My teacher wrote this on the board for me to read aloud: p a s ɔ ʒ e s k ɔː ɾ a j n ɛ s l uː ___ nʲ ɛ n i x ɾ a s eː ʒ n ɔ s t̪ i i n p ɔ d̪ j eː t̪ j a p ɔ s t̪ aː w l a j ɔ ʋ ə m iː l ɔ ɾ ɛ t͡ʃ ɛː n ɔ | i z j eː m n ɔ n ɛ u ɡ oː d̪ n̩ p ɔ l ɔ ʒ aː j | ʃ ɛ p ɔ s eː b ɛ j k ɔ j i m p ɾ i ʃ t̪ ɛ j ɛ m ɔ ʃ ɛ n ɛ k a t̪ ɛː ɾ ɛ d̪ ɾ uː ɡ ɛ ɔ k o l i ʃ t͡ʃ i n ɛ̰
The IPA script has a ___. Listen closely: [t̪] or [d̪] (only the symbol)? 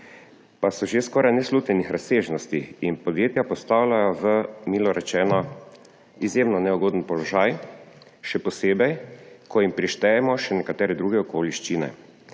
t̪